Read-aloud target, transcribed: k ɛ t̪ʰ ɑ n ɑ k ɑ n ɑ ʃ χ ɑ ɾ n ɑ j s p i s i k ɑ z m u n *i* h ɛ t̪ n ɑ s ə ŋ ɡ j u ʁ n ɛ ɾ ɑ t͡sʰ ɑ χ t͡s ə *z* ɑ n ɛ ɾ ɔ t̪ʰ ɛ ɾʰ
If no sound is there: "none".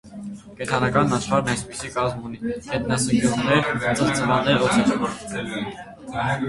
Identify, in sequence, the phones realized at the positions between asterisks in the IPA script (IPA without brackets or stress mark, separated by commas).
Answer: i, v